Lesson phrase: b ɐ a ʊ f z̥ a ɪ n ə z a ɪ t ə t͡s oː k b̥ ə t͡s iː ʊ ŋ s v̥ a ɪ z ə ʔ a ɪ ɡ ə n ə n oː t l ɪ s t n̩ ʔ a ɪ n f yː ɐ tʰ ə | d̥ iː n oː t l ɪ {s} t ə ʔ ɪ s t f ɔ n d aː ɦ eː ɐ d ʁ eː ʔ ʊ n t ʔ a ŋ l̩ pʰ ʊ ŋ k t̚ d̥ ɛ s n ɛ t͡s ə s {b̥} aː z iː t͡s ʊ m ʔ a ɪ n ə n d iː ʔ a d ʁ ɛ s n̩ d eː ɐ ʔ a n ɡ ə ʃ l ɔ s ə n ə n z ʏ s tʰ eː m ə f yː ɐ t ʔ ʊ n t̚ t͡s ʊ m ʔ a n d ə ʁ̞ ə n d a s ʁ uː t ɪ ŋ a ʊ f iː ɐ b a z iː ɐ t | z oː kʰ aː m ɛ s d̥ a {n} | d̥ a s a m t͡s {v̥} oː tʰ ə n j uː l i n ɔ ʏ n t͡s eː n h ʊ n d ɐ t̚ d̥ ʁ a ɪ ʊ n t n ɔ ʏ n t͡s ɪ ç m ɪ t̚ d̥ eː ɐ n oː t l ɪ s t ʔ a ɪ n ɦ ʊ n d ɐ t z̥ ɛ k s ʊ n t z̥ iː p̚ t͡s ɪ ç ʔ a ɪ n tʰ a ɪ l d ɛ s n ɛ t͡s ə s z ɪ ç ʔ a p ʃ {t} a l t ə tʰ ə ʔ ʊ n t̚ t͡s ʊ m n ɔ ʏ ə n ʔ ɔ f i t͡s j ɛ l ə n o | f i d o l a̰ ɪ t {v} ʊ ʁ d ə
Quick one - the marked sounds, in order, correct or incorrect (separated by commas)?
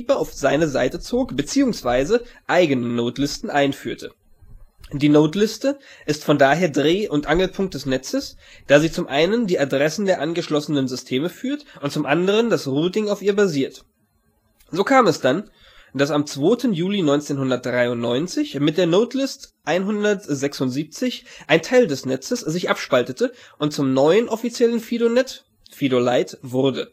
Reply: correct, incorrect, correct, correct, incorrect, correct